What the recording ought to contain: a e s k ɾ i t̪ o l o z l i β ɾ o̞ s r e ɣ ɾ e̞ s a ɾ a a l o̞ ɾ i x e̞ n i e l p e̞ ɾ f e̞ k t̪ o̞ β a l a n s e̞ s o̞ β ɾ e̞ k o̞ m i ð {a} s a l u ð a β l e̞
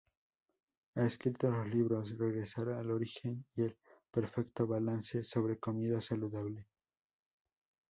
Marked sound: correct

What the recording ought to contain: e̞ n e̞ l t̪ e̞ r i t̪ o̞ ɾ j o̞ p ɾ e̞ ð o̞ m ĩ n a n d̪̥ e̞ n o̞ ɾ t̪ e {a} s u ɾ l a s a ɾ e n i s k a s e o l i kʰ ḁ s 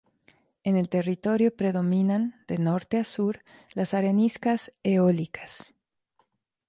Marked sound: correct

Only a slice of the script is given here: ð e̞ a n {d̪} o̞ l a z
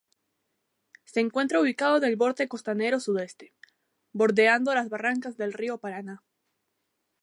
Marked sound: correct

